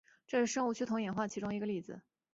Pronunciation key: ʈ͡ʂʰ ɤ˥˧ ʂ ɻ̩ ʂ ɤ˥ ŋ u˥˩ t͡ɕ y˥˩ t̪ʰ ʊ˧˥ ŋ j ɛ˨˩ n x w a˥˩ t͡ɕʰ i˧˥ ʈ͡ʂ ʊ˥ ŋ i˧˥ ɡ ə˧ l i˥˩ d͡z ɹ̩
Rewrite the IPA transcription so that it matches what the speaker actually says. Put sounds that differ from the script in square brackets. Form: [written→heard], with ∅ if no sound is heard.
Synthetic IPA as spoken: [ʈ͡ʂʰ→ʈ͡ʂ] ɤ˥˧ ʂ ɻ̩ ʂ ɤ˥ ŋ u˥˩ [t͡ɕ→t͡ɕʰ] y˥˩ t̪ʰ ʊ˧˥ ŋ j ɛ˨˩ n x w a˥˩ t͡ɕʰ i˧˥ ʈ͡ʂ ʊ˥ ŋ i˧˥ ɡ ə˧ l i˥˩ d͡z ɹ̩